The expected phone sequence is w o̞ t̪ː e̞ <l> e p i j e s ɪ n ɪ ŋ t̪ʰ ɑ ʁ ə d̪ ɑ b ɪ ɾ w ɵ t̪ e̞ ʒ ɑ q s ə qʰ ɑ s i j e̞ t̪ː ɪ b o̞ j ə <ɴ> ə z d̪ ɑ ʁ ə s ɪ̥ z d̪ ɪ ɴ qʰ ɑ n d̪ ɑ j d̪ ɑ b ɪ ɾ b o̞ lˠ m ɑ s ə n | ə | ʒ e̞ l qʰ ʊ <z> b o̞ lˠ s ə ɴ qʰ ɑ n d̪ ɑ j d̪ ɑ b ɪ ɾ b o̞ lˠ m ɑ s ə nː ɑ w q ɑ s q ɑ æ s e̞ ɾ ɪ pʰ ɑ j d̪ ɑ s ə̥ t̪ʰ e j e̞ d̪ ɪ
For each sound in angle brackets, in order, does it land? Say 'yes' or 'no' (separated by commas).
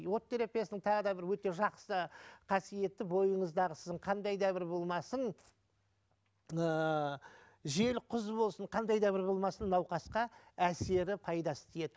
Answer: no, yes, yes